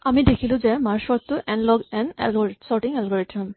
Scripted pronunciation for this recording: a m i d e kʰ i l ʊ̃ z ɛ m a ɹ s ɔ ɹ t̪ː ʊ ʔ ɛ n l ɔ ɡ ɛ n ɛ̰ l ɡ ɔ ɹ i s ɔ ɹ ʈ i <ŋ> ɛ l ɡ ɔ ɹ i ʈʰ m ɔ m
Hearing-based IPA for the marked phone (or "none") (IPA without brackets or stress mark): ŋ